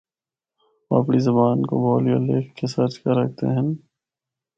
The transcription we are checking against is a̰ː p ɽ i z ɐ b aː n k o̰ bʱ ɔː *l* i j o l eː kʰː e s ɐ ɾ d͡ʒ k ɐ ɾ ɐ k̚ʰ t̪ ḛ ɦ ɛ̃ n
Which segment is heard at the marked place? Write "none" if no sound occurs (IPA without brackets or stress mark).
l